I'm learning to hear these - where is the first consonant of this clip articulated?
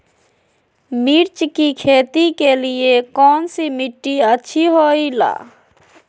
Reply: lips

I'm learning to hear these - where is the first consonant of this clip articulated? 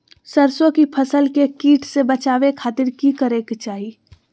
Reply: tongue tip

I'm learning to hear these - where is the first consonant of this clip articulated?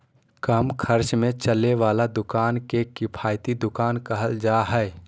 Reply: velum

